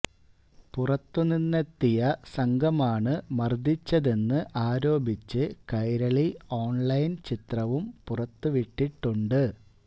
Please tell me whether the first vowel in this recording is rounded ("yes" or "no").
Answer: yes